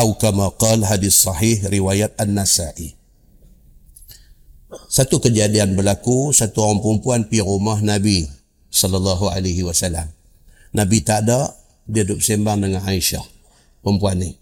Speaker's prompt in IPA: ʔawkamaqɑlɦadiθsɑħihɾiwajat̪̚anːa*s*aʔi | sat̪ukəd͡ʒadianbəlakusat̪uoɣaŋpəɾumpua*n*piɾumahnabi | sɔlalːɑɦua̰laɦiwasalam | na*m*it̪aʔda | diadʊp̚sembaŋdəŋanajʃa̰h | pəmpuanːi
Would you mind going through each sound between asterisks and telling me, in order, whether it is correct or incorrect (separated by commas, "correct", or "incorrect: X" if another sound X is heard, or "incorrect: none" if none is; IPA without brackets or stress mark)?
correct, correct, incorrect: b